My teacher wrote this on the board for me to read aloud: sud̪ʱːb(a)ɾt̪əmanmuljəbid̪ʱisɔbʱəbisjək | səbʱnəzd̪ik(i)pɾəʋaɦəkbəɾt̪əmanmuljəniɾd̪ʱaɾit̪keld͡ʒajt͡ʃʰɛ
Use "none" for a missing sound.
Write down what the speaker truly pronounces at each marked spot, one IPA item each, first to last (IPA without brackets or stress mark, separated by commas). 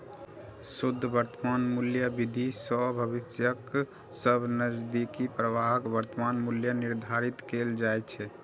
ə, i